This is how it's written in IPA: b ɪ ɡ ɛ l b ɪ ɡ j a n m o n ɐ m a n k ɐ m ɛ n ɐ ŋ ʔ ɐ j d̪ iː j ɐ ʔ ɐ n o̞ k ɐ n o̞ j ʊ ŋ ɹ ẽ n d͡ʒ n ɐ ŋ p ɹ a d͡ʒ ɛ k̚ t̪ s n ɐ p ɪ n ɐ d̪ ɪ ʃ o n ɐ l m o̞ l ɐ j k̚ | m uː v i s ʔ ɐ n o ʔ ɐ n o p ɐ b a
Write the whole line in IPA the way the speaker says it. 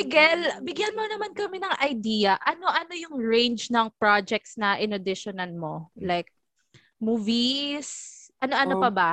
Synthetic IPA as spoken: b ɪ ɡ ɛ l b ɪ ɡ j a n m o n ɐ m a n k ɐ m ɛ n ɐ ŋ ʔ ɐ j d̪ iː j ɐ ʔ ɐ n o̞ ʔ ɐ n o̞ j ʊ ŋ ɹ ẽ n d͡ʒ n ɐ ŋ p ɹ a d͡ʒ ɛ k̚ t̪ s n ɐ ʔ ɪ n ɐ d̪ ɪ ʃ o n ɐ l m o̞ l a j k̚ | m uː v i s ʔ ɐ n o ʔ ɐ n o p ɐ b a